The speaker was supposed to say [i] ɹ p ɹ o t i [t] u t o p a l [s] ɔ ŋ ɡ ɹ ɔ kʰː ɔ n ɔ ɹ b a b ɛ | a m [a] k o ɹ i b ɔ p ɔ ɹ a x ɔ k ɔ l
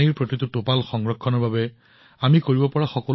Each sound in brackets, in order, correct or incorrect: correct, correct, incorrect: x, incorrect: i

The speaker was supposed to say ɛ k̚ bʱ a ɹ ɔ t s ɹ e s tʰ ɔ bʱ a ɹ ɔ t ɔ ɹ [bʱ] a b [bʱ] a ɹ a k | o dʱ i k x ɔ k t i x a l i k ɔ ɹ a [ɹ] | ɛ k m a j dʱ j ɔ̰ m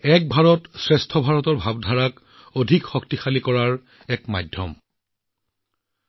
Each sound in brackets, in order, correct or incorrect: correct, incorrect: dʱ, correct

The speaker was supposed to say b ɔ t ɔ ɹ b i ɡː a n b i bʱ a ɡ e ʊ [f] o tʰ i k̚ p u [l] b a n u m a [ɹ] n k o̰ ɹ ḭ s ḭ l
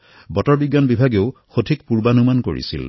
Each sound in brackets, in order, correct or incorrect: incorrect: x, incorrect: ɹ, incorrect: none

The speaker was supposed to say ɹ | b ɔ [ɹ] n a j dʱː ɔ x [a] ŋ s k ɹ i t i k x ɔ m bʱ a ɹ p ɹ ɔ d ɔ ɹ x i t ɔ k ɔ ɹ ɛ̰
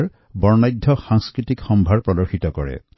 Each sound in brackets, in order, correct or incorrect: correct, correct

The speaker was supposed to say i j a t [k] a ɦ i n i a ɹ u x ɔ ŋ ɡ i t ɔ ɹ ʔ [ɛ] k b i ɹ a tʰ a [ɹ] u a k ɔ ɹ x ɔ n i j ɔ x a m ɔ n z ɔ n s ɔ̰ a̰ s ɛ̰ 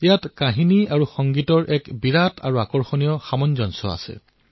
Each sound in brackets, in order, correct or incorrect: correct, correct, correct

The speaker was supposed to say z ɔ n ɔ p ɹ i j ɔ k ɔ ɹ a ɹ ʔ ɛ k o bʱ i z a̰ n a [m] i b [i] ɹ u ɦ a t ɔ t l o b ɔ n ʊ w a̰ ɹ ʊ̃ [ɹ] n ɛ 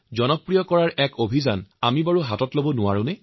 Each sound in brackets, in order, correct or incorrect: correct, incorrect: a, incorrect: none

